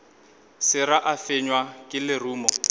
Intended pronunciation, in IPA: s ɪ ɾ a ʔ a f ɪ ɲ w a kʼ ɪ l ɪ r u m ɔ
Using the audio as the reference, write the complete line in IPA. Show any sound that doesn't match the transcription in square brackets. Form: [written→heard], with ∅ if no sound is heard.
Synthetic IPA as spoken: s ɪ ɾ a ʔ a f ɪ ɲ w a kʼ ɪ l ɪ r [u→uː] m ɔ